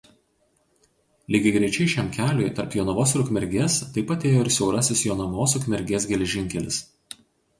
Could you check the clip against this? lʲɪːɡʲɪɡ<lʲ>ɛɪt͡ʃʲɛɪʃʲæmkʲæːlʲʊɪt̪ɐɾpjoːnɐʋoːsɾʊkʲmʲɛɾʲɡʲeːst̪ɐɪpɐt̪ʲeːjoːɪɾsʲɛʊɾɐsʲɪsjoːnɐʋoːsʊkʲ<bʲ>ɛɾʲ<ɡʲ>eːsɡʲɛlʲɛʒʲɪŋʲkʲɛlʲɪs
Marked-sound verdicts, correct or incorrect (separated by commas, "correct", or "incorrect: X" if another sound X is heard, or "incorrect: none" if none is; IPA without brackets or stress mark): incorrect: ɾʲ, incorrect: mʲ, correct